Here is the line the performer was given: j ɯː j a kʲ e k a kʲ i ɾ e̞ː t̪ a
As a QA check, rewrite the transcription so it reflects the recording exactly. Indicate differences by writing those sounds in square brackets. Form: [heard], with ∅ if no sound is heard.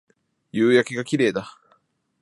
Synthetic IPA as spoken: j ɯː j a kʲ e [ɡ] a kʲ i ɾ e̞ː [d̪] a